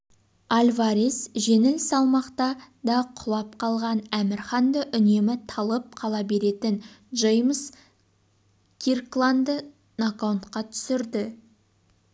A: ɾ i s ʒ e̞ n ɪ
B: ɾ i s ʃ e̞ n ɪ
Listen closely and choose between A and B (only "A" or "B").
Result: A